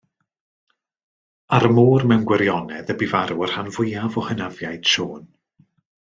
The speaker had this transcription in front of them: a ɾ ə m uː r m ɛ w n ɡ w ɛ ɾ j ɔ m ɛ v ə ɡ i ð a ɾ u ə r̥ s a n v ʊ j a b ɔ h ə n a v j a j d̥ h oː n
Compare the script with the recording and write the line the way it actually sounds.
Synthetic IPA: a ɾ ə m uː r m ɛ w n ɡ w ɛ ɾ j ɔ n ɛ ð ə b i v a ɾ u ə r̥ h a n v ʊ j a v ɔ h ə n a v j a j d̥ ʃ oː n